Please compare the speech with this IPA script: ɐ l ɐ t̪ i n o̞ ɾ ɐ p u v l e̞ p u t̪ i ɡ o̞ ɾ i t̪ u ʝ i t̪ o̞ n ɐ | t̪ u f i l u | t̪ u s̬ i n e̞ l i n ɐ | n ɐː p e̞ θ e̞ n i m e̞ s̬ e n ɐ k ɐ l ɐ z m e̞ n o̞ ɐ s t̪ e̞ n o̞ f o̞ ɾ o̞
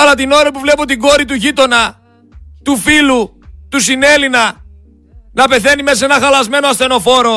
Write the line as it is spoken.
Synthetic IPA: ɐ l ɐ t̪ i n o̞ ɾ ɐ p u v l e̞ p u t̪ i ɡ o̞ ɾ i t̪ u ʝ i t̪ o̞ n ɐ | t̪ u f i l u | t̪ u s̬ i n e̞ l i n ɐ | n ɐ p e̞ θ e̞ n i m e̞ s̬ e n ɐ x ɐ l ɐ z m e̞ n o̞ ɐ s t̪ e̞ n o̞ f o̞ ɾ o̞